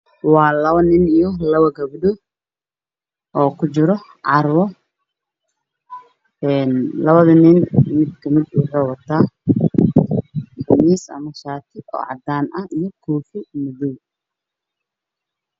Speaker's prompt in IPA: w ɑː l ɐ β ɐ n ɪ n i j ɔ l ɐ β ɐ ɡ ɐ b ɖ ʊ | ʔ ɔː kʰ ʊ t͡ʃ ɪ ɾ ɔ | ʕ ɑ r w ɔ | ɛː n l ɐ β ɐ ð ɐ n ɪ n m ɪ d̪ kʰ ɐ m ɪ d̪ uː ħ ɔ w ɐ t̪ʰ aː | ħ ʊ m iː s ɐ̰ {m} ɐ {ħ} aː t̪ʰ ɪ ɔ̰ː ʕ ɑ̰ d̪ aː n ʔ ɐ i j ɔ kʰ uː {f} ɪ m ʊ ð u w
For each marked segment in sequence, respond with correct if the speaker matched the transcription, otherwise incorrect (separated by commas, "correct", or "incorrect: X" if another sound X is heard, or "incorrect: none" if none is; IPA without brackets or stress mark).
correct, incorrect: ʃ, correct